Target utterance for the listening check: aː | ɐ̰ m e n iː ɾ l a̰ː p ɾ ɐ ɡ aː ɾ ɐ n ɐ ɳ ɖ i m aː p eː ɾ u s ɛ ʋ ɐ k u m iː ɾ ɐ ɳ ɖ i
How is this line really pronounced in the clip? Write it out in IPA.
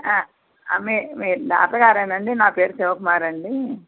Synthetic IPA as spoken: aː | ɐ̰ m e m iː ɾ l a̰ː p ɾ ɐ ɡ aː ɾ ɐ n ɐ ɳ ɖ i n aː p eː ɾ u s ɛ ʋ ɐ k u m aː ɾ ɐ ɳ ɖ i